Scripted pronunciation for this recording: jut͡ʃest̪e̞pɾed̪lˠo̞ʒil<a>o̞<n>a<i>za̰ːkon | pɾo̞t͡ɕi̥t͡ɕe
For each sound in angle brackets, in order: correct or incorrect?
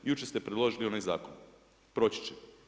incorrect: i, correct, incorrect: j

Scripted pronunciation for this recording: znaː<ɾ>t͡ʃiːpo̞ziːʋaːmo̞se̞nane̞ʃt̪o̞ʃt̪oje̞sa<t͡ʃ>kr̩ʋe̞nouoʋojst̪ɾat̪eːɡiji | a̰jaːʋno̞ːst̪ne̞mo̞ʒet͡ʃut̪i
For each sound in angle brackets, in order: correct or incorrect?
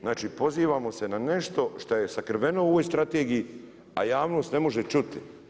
incorrect: none, incorrect: none

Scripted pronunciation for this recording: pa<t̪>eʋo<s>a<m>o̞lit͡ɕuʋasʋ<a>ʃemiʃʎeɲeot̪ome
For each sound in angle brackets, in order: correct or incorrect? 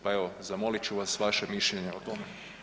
incorrect: none, incorrect: z, correct, correct

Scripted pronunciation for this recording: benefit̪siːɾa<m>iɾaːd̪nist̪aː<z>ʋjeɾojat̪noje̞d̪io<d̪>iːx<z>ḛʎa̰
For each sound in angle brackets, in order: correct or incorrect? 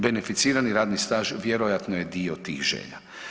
incorrect: n, incorrect: ʒ, incorrect: t̪, incorrect: ʒ

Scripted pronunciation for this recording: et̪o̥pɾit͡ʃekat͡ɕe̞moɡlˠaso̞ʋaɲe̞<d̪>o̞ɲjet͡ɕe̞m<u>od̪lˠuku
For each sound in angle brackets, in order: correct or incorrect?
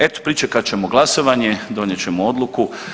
correct, incorrect: o

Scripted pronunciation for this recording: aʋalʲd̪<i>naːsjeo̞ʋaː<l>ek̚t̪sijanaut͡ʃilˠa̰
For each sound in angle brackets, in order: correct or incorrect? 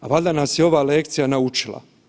incorrect: a, correct

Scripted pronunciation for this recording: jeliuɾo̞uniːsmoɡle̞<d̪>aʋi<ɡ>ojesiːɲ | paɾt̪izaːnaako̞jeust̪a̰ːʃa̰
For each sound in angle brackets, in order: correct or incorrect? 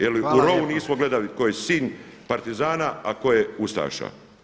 correct, incorrect: k

